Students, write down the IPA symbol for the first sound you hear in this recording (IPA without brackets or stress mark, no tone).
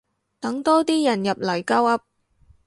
t̪